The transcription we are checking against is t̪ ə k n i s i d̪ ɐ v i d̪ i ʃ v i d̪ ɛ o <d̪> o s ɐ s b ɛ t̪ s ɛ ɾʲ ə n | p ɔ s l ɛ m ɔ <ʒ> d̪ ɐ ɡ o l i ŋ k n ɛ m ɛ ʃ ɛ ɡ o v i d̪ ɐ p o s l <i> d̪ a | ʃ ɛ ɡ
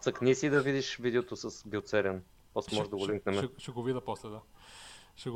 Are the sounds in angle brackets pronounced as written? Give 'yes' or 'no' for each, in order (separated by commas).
no, yes, no